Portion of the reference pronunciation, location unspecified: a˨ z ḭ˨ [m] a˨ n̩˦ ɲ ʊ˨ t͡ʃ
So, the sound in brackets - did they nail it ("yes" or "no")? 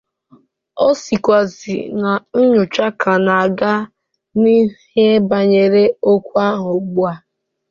no